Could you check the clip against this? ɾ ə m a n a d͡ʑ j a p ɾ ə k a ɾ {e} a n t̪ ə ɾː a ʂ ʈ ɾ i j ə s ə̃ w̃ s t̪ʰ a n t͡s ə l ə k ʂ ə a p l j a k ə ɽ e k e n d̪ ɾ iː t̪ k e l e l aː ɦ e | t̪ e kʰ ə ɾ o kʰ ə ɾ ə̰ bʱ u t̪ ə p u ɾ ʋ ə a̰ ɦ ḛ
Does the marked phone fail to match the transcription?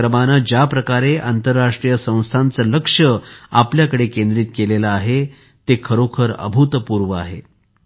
no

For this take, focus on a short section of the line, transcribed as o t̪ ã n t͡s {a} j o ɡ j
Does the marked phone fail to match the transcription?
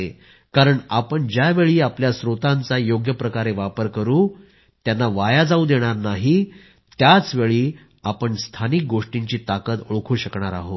no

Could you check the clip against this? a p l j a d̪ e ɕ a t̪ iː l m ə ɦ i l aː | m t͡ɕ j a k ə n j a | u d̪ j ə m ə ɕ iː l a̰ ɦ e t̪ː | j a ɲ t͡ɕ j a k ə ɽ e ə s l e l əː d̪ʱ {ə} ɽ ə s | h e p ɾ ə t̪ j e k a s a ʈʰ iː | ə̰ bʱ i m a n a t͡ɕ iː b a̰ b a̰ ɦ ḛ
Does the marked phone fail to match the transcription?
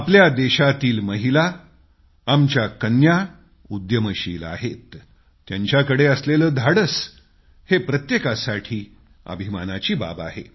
yes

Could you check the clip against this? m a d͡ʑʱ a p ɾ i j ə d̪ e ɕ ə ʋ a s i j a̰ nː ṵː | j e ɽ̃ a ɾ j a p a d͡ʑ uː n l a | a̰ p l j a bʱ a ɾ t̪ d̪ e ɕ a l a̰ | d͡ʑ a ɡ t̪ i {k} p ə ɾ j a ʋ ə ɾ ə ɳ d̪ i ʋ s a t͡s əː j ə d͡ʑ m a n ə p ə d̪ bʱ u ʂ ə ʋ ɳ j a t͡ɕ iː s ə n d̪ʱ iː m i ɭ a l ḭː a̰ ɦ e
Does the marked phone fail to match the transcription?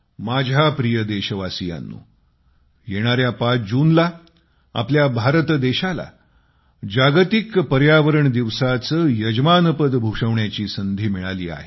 no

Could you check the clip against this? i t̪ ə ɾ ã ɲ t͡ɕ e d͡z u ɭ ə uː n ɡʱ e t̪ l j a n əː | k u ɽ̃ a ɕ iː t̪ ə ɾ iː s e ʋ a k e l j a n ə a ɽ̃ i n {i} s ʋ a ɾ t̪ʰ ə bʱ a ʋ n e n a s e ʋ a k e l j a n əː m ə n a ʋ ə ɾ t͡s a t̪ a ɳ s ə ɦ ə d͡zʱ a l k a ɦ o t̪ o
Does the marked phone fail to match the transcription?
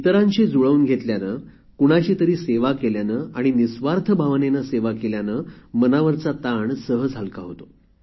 no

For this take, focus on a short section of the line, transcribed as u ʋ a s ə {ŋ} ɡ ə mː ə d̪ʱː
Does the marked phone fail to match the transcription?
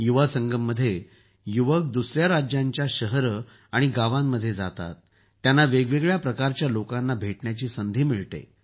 no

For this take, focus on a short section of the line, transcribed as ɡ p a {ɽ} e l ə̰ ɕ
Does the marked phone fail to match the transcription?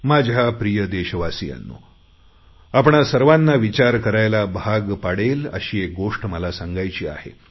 no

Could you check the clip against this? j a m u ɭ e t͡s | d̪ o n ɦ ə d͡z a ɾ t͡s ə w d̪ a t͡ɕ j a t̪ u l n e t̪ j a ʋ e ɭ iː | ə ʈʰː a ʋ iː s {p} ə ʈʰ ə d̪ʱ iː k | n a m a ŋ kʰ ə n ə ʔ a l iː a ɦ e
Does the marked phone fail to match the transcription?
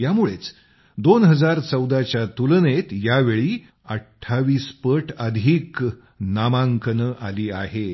no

